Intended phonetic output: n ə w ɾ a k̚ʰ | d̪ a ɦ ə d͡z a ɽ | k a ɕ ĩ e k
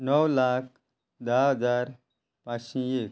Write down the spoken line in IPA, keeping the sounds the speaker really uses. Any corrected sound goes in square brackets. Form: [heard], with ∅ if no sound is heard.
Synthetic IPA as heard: n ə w [l] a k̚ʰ | d̪ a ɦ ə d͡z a [ɾ] | [p] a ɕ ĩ e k